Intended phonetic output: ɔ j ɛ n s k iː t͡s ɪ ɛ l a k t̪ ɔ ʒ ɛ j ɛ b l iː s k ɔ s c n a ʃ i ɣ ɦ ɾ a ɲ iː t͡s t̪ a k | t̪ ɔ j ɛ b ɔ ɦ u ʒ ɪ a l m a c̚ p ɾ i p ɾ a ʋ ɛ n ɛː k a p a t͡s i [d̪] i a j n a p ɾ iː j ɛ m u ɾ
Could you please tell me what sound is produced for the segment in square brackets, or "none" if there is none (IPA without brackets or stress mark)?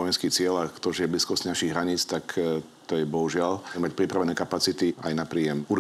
t̪